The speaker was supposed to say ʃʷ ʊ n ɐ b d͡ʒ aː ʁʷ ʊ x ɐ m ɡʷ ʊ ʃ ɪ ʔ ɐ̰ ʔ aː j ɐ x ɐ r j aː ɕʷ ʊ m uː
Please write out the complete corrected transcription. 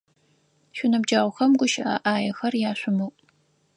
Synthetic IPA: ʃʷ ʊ n ɐ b d͡ʒ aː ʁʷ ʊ x ɐ m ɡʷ ʊ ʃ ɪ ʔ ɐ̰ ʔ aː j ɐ x ɐ r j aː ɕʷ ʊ m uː